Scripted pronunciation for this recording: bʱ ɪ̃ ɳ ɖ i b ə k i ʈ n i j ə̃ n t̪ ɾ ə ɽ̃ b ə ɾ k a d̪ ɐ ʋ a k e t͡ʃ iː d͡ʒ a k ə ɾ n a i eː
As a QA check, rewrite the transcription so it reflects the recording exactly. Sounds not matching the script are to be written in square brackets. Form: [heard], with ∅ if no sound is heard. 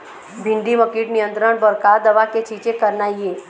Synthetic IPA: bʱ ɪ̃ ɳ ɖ i [m] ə k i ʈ n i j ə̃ n t̪ ɾ ə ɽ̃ b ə ɾ k a d̪ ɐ ʋ a k e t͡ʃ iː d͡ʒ [e] k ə ɾ n a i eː